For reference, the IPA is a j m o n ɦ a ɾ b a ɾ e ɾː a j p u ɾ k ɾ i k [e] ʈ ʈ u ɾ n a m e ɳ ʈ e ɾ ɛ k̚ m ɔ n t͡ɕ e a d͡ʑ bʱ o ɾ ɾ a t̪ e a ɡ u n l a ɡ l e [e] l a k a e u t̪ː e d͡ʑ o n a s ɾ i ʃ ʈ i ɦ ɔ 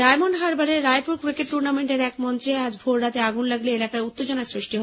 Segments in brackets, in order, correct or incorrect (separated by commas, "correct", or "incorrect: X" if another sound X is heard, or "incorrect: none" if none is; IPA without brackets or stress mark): correct, correct